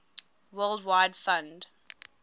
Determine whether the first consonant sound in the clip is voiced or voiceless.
voiced